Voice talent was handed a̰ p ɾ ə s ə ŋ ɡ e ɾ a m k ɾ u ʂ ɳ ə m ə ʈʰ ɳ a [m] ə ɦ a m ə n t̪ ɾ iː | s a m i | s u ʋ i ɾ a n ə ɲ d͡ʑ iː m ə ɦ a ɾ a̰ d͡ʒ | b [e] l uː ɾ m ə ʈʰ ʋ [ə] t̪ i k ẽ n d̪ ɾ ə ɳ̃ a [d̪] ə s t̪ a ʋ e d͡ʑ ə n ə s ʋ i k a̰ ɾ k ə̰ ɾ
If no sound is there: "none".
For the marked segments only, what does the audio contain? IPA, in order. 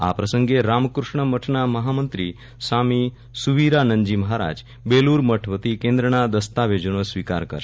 m, e, ə, d̪

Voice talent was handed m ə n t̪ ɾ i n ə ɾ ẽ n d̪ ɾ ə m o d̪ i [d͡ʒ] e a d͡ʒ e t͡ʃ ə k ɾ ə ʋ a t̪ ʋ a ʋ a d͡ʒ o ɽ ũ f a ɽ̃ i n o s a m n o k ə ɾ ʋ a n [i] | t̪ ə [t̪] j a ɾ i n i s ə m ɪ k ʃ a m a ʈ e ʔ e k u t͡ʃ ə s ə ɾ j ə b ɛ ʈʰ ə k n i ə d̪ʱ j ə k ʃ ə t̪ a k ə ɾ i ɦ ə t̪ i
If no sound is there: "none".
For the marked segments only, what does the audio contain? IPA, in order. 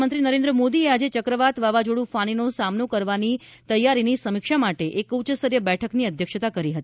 none, i, none

